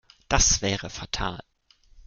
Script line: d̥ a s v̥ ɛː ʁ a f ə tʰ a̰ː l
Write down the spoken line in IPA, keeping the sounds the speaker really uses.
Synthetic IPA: d̥ a s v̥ ɛː ʁ ə f a tʰ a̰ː l